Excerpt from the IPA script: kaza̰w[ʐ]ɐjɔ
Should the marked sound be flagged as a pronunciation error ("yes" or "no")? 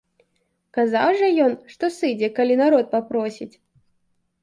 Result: no